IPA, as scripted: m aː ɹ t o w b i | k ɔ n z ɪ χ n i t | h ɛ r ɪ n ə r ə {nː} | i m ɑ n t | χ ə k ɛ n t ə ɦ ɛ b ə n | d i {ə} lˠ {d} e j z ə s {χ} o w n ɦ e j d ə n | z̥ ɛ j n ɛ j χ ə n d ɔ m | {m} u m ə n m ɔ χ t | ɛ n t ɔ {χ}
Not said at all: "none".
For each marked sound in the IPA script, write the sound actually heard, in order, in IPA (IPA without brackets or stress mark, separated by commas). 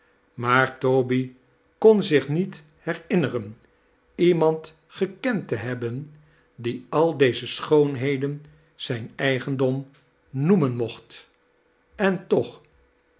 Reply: n, ɑ, d, χ, n, χ